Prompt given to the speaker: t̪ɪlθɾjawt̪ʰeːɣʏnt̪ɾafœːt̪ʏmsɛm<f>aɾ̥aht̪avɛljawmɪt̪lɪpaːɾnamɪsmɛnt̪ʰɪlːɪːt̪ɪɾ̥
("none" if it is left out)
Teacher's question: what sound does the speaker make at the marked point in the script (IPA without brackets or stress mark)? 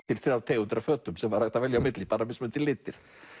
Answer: v